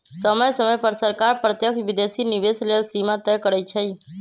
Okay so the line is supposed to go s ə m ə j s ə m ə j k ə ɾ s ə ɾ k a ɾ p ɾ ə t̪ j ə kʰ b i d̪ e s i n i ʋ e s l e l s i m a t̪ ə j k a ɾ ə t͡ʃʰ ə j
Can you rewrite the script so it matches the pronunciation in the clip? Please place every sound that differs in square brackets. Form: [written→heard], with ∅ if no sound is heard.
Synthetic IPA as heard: s ə m ə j s ə m ə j [k→p] ə ɾ s ə ɾ k a ɾ p ɾ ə t̪ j ə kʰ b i d̪ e s i n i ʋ e s l e l s i m a t̪ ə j k [a→ə] ɾ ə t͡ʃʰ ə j